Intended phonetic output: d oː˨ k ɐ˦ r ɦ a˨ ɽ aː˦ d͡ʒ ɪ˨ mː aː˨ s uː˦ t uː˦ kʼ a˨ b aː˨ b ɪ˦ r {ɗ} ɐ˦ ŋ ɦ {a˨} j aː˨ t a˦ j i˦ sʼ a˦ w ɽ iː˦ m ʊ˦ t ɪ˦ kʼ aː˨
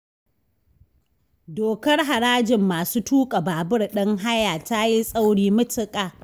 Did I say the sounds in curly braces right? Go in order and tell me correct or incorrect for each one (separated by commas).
correct, incorrect